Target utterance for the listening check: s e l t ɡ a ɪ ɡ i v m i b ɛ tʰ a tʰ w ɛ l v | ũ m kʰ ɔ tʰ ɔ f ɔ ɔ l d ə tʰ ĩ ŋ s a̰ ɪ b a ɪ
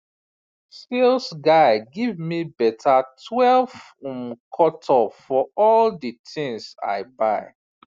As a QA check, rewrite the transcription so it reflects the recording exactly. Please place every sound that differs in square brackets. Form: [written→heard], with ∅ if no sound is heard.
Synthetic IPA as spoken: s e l [t→s] ɡ a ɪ ɡ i v m i b ɛ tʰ a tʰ w ɛ l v | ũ m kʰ ɔ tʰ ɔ f ɔ ɔ l d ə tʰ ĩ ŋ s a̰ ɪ b a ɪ